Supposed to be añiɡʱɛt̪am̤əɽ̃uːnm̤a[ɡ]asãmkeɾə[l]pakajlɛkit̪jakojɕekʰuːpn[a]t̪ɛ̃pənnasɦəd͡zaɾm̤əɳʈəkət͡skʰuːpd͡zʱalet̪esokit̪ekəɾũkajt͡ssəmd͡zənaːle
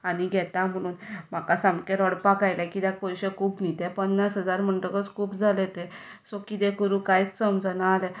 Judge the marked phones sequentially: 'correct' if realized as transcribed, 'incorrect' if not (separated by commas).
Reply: incorrect, incorrect, incorrect